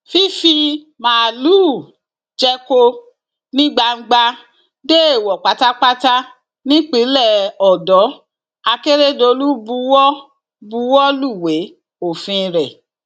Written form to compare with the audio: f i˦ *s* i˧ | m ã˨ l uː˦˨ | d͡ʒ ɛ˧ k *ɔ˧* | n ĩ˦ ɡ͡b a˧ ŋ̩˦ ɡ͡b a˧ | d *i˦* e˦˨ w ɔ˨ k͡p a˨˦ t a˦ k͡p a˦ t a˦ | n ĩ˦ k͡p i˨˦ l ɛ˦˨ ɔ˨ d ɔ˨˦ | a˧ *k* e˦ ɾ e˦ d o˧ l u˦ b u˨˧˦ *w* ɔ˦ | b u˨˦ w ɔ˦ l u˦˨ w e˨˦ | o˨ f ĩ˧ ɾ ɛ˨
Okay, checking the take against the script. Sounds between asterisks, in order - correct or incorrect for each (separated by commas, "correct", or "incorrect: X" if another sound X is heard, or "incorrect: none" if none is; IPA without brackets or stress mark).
incorrect: f, incorrect: o˧, incorrect: e˦, correct, correct